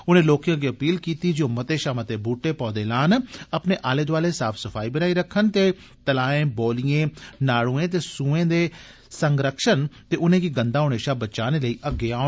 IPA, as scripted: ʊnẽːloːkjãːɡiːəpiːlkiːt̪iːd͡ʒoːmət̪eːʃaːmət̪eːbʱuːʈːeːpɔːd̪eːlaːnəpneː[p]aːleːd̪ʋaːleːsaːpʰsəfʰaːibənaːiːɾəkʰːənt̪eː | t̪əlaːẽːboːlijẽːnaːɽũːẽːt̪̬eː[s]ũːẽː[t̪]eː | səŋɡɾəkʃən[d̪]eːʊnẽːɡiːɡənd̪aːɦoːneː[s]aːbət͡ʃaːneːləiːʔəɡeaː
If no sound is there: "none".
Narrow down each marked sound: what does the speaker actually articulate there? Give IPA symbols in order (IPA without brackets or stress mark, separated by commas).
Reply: ʔ, s, d̪, t̪, ʃ